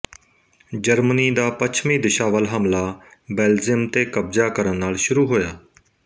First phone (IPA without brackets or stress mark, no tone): d͡ʒ